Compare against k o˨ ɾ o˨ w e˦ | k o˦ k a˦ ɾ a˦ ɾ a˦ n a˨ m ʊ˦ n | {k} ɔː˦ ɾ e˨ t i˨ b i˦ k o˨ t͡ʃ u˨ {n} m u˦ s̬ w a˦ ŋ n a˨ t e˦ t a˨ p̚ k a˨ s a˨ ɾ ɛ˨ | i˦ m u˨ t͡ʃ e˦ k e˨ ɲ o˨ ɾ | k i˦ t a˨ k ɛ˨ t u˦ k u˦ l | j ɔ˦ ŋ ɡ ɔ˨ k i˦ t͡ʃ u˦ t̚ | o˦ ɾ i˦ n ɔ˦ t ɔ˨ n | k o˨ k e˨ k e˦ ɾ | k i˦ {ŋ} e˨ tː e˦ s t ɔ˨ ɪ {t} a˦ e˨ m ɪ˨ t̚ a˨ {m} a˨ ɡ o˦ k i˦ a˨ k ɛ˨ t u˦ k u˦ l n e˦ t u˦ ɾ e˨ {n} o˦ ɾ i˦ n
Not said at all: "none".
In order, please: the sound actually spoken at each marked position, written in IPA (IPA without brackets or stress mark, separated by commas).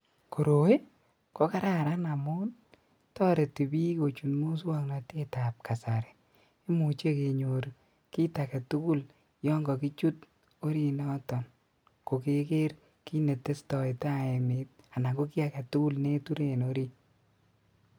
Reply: t, n, n, t, n, n